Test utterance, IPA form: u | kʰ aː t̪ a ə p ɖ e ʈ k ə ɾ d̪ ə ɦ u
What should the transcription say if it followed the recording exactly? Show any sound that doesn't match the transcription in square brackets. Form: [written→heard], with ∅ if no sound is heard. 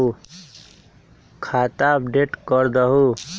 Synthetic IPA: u | kʰ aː t̪ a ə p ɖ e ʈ k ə ɾ d̪ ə ɦ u